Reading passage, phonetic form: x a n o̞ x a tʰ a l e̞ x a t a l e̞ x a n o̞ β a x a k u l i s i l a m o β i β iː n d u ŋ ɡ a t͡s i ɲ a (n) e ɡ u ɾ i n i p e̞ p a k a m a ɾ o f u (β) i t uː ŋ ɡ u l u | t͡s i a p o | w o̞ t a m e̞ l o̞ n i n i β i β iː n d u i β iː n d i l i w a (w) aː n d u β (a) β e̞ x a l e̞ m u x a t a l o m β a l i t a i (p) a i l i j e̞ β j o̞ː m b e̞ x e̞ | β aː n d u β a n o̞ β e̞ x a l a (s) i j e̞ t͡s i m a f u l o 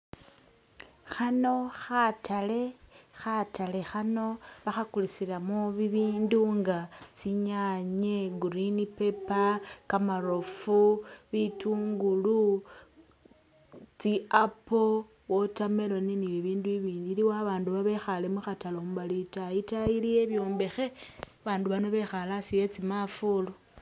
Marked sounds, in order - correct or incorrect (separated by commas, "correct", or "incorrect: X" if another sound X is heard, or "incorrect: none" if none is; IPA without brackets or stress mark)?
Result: incorrect: ɲ, correct, incorrect: β, correct, incorrect: t, correct